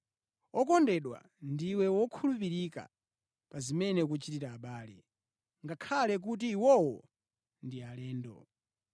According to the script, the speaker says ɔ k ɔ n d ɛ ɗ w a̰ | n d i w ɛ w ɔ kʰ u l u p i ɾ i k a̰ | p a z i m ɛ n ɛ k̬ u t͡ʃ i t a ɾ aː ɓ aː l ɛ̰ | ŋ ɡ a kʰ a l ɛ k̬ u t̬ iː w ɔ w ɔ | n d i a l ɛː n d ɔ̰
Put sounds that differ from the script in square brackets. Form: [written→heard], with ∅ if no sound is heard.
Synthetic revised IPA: ɔ k ɔ n d ɛ ɗ w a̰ | n d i w ɛ w ɔ kʰ u l u p i ɾ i k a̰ | p a z i m ɛ n ɛ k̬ u t͡ʃ i t [a→i] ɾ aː ɓ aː l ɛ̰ | ŋ ɡ a kʰ a l ɛ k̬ u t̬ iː w ɔ w ɔ | n d i a l ɛː n d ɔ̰